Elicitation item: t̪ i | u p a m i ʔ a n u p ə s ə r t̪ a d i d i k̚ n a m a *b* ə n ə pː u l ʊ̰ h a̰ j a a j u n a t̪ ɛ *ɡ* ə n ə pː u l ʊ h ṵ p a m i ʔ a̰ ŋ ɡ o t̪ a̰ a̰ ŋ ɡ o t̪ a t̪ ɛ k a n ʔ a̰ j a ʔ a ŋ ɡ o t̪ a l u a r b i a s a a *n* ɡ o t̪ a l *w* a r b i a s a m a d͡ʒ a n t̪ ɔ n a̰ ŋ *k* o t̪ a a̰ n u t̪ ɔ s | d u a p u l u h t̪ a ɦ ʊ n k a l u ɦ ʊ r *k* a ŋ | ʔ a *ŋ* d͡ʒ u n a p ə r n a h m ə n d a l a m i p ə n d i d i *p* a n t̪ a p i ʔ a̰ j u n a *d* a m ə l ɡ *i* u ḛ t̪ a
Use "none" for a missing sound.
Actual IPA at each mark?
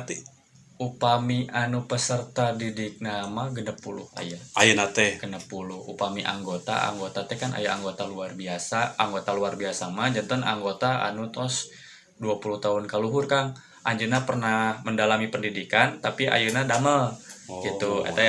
ɡ, ɡ, ŋ, u, ɡ, k, ɲ, k, d, i

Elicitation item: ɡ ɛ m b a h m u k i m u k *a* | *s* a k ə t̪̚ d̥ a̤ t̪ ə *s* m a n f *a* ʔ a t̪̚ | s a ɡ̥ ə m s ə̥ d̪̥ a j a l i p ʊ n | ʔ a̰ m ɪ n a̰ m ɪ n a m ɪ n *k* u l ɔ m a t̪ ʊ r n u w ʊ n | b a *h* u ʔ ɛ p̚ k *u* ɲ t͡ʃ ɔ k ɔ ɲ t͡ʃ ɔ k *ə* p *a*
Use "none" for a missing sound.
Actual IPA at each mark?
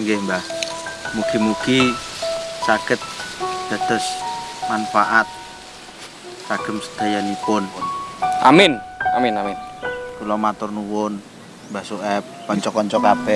i, s, s, a, k, s, ɔ, a, ɛ

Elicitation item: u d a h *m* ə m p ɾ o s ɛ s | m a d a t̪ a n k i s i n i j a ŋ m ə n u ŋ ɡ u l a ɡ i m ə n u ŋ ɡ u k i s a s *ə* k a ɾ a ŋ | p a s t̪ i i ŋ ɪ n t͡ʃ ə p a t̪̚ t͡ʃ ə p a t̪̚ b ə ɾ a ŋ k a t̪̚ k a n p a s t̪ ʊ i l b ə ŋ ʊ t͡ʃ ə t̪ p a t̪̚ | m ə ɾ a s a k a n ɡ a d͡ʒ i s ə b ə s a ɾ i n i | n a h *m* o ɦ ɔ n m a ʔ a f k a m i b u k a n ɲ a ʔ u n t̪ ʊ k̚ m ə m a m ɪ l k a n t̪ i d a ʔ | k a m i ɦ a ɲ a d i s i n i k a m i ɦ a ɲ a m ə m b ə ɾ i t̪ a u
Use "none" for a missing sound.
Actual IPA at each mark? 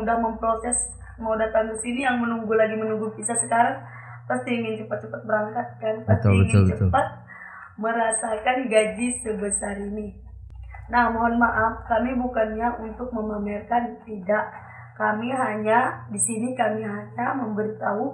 m, ə, m

